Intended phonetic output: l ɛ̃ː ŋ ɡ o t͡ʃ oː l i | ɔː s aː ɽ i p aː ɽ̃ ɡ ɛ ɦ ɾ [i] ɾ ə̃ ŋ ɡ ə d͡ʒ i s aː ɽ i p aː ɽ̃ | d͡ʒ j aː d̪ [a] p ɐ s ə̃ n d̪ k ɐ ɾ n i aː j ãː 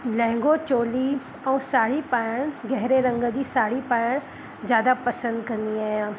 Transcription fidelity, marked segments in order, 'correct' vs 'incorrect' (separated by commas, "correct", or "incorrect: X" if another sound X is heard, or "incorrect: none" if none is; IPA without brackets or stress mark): incorrect: e, correct